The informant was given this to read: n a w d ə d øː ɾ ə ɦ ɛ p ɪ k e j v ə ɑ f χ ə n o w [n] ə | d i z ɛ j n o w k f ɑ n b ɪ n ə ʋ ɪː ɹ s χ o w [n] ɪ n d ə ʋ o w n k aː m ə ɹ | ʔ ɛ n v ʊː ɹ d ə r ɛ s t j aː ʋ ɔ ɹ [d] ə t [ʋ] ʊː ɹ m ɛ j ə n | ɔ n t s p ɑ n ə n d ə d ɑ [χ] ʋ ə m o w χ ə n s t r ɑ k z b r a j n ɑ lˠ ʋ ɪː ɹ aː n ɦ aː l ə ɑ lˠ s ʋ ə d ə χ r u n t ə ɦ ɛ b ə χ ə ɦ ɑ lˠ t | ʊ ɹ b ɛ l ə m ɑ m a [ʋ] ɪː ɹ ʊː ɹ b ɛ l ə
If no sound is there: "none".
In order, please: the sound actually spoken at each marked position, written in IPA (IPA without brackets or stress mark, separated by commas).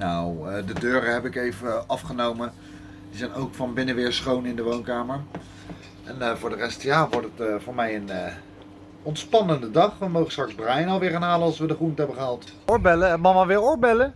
m, n, t, v, χ, ʋ